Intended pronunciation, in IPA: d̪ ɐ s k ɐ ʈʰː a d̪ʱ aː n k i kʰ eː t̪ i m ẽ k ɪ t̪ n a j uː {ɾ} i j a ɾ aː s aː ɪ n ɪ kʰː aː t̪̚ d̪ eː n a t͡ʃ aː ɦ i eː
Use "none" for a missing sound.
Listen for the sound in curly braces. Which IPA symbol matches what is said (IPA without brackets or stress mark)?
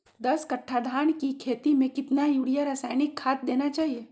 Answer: ɽ